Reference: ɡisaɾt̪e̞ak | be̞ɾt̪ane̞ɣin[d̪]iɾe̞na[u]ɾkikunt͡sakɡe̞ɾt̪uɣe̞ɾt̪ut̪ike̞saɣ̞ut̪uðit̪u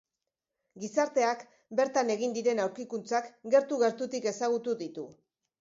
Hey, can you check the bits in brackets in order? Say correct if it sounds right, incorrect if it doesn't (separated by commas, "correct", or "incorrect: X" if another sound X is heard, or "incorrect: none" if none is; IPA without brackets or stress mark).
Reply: correct, incorrect: w